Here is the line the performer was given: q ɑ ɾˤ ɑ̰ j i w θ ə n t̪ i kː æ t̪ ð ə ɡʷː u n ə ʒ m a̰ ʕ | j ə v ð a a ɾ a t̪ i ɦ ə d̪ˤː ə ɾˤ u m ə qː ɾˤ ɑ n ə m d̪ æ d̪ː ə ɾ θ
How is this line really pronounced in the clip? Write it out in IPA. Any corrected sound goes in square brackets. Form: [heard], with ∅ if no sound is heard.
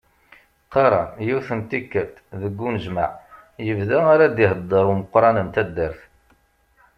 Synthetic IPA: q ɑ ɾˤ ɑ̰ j i w θ ə n t̪ i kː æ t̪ ð ə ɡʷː u n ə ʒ m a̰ ʕ | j ə v ð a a ɾ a [d̪] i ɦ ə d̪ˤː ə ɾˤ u m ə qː ɾˤ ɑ n ə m [t̪] æ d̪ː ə ɾ θ